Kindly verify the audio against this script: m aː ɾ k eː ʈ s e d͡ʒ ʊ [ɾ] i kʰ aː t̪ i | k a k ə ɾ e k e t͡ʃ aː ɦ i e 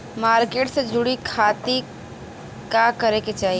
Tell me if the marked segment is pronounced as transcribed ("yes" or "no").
no